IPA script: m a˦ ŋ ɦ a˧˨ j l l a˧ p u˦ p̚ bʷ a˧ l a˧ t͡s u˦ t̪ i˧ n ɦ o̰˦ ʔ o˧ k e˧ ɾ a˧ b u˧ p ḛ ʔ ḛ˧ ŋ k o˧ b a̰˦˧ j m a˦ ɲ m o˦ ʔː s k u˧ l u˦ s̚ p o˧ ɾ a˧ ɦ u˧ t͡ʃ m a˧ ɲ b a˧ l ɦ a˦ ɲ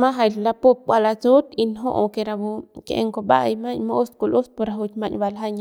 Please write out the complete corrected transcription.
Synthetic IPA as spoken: m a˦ ɦ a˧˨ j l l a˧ p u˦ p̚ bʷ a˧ l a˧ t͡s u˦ t̪ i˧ n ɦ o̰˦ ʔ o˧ k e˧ ɾ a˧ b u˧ k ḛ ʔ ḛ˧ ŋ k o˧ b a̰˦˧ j m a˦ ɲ m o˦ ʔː s k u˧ l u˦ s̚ p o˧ ɾ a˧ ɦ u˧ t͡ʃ m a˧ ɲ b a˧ l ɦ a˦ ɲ